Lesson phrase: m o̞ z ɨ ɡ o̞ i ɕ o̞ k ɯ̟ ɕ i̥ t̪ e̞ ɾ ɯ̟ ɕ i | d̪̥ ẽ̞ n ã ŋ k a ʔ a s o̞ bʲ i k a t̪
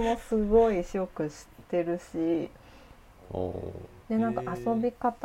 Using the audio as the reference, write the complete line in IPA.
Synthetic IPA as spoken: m o̞ s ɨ ɡ o̞ i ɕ o̞ k ɯ̟ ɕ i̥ t̪ e̞ ɾ ɯ̟ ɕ i | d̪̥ e̞ n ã ŋ k a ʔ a s o̞ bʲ i k a t̪